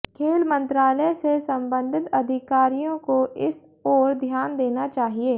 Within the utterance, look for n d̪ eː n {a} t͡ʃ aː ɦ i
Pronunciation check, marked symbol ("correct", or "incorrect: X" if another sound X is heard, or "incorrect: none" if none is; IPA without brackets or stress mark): correct